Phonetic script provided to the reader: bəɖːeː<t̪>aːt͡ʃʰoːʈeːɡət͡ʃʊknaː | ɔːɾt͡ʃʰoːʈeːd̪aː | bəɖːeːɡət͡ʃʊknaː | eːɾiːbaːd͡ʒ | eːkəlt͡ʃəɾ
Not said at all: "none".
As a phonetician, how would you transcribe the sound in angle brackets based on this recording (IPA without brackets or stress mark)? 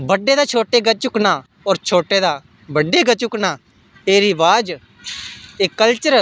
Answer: d̪